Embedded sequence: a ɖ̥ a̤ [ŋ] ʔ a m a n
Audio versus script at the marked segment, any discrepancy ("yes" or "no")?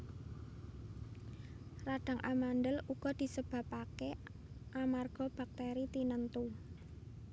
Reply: no